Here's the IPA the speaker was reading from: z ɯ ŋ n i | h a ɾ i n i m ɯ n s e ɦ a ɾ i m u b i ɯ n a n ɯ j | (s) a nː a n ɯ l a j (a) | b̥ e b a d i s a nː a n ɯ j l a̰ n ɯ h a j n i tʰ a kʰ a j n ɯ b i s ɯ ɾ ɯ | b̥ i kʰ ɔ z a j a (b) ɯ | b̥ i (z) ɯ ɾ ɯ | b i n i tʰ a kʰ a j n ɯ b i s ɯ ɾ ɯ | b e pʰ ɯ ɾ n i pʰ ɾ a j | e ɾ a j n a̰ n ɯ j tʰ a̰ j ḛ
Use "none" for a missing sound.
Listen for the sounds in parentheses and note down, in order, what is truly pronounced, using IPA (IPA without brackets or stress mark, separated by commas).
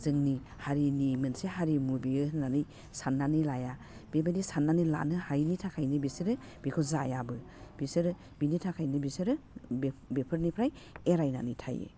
s, a, b, s